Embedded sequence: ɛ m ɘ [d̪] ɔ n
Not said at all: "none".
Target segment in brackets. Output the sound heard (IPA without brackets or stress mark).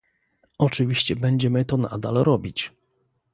t̪